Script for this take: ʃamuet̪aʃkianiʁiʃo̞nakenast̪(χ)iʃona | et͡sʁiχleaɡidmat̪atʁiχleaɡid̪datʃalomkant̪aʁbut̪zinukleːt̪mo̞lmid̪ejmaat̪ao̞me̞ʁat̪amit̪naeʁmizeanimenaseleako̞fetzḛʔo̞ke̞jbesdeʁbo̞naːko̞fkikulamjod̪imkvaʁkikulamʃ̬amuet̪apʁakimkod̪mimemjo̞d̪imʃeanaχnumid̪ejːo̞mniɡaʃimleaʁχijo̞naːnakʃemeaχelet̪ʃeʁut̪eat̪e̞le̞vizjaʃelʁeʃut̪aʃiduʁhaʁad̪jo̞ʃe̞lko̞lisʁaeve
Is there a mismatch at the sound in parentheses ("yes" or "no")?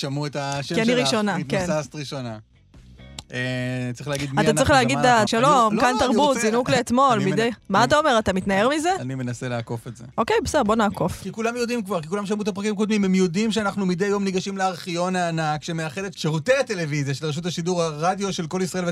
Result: yes